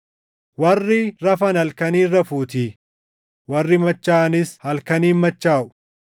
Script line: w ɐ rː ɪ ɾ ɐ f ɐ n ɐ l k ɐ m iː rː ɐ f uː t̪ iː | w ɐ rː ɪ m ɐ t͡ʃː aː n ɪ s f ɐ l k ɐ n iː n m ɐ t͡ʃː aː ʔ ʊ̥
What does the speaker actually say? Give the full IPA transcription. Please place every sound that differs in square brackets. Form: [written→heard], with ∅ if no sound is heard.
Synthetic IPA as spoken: w ɐ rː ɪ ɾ ɐ f ɐ n ɐ l k ɐ [m→n] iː rː ɐ f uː t̪ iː | w ɐ rː ɪ m ɐ t͡ʃː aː n ɪ s [f→h] ɐ l k ɐ n iː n m ɐ t͡ʃː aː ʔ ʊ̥